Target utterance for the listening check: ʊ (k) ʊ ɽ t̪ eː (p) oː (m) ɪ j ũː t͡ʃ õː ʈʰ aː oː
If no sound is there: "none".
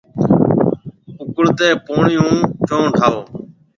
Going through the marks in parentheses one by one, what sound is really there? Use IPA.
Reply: k, p, ɳ

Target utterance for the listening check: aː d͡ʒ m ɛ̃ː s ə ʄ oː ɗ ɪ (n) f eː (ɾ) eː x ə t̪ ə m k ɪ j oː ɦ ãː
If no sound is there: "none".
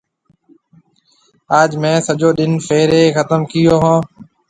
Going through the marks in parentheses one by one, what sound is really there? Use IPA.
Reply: n, ɾ

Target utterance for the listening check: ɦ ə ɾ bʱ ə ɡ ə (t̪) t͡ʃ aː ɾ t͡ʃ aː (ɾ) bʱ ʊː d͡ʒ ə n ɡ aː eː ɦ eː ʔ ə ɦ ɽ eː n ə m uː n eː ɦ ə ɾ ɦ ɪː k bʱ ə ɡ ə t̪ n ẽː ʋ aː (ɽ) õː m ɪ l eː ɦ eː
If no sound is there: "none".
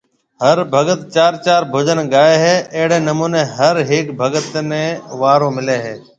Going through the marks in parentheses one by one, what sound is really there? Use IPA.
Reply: t̪, ɾ, ɾ

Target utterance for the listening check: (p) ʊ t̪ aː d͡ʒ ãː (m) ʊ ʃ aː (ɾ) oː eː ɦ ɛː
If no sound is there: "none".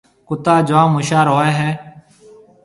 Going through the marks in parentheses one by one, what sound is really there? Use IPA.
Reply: k, m, ɾ

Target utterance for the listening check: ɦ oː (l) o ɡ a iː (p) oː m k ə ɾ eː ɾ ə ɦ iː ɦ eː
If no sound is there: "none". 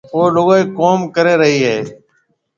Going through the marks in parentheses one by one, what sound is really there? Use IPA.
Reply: l, k

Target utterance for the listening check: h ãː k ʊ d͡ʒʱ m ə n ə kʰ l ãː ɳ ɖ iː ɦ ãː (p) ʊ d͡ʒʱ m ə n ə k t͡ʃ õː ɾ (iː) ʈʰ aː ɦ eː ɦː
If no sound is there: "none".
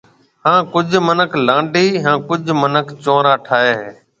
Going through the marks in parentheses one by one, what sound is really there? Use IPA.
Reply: k, aː

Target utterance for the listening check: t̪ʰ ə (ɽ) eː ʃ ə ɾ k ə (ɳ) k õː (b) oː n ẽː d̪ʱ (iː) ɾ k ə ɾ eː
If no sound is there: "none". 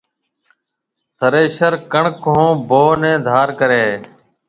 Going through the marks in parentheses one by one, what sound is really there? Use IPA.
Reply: ɾ, ɳ, b, aː

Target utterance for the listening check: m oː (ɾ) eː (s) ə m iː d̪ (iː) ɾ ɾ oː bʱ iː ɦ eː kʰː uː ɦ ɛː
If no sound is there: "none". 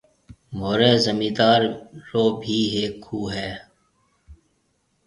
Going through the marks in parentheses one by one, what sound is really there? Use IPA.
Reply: ɾ, z, aː

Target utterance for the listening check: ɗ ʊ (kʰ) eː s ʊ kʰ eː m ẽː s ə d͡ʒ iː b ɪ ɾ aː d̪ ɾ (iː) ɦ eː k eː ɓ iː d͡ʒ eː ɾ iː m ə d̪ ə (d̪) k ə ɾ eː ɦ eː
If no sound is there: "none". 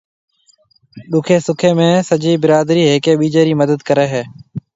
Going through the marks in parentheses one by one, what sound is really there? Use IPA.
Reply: kʰ, iː, d̪

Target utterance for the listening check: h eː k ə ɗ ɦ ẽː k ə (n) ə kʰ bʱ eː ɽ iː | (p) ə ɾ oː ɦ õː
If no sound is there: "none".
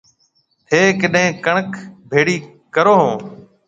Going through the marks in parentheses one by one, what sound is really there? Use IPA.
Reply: ɳ, k

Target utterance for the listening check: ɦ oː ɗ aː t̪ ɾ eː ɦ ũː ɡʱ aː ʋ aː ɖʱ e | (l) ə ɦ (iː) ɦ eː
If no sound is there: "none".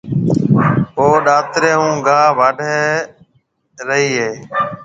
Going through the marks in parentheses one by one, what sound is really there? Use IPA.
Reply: ɾ, iː

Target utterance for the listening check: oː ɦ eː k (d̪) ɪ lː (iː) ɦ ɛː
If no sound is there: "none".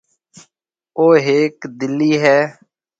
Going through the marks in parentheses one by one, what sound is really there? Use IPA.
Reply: d̪, iː

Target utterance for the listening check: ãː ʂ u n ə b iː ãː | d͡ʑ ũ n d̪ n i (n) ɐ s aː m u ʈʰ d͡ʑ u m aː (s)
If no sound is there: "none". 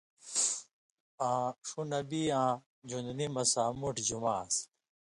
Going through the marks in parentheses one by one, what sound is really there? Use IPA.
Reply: m, s

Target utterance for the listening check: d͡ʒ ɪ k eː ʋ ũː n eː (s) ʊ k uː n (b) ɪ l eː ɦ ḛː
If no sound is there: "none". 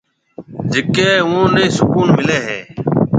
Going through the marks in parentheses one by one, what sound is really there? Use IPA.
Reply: s, m

